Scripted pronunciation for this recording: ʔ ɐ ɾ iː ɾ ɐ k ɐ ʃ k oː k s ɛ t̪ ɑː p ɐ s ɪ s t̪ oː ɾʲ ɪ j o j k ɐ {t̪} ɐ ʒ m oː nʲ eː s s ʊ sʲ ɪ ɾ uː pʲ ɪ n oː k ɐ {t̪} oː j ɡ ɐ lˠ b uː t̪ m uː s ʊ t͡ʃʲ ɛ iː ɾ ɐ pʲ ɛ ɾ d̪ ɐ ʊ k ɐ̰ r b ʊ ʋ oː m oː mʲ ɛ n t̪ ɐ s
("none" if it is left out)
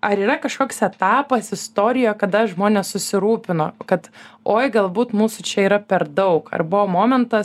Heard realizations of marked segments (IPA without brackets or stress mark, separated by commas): d̪, t̪